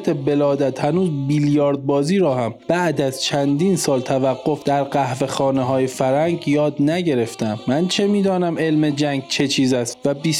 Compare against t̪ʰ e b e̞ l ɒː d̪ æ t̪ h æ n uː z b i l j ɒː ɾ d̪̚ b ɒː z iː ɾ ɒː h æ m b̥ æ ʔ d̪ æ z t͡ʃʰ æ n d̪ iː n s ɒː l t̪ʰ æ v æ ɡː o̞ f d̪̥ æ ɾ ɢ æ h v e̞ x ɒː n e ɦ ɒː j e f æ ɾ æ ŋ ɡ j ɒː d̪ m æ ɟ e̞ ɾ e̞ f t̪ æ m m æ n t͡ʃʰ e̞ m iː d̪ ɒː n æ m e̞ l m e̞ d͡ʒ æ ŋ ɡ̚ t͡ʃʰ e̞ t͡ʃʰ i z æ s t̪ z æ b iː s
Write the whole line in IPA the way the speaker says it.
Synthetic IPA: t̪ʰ e b e̞ l ɒː d̪ æ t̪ h æ n uː z b i l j ɒː ɾ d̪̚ b ɒː z iː ɾ ɒː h æ m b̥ æ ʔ d̪ æ z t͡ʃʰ æ n d̪ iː n s ɒː l t̪ʰ æ v æ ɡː o̞ f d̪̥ æ ɾ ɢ æ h v e̞ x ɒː n e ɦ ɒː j e f æ ɾ æ ŋ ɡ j ɒː d̪ n æ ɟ e̞ ɾ e̞ f t̪ æ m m æ n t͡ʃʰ e̞ m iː d̪ ɒː n æ m e̞ l m e̞ d͡ʒ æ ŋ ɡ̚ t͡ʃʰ e̞ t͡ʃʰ iː z æ s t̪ v æ b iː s